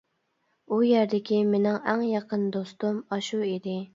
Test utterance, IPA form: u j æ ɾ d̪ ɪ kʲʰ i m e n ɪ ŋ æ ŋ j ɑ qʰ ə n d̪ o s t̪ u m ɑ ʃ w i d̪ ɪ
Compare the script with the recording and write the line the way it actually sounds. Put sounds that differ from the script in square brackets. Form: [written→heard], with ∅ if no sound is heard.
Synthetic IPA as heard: u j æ ɾ d̪ ɪ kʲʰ i m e n ɪ ŋ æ ŋ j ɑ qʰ ə n d̪ o s t̪ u m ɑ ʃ [w→u] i d̪ ɪ

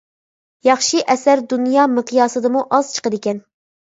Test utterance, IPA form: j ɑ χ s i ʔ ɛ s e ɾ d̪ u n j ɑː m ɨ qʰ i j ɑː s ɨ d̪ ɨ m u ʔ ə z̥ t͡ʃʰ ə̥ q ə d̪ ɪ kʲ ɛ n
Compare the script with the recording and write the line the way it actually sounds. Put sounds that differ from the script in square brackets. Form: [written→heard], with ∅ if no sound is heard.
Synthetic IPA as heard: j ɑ χ [s→ʃ] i ʔ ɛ s [e→æ] ɾ d̪ u n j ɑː m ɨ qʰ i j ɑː s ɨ d̪ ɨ m u ʔ [ə→ɑ] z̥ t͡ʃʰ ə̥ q ə d̪ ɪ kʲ ɛ n

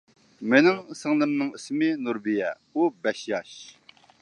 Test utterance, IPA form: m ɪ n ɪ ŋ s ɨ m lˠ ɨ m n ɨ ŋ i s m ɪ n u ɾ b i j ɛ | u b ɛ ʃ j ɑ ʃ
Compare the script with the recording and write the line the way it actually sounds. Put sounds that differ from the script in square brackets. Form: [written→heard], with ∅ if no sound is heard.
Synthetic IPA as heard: m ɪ n ɪ ŋ s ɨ [m→ŋ] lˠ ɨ m n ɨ ŋ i s m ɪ n u ɾ b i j ɛ | u b ɛ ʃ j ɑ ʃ

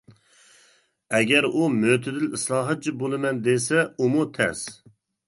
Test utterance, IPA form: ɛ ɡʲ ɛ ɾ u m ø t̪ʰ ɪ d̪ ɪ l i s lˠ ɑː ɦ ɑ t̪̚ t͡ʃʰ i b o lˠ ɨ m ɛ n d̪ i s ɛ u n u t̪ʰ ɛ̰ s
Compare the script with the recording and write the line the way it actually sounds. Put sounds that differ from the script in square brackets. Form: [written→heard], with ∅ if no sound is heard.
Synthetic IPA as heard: ɛ ɡʲ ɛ ɾ u m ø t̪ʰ ɪ d̪ ɪ l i s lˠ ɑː ɦ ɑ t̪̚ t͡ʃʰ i b o lˠ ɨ m ɛ n d̪ [i→e] s ɛ u [n→m] u t̪ʰ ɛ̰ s

